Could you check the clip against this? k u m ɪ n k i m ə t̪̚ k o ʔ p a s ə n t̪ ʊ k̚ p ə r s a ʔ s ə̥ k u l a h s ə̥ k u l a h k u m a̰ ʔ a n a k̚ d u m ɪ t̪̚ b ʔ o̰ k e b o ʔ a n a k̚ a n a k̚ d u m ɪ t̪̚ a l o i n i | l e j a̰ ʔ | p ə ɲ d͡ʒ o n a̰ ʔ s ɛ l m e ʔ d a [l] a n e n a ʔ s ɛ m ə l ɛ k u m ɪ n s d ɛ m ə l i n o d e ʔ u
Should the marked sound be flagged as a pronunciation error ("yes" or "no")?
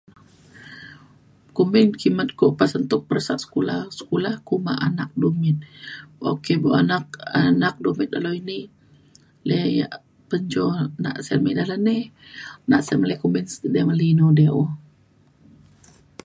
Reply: no